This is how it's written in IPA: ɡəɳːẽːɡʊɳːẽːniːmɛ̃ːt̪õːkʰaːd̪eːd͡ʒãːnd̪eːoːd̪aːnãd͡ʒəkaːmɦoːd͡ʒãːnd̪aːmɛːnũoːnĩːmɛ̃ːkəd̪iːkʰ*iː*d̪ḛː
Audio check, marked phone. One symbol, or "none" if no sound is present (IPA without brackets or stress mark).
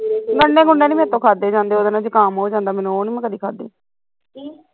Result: aː